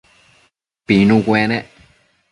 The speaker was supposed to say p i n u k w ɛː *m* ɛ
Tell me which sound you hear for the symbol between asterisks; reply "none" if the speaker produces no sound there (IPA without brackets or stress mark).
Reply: n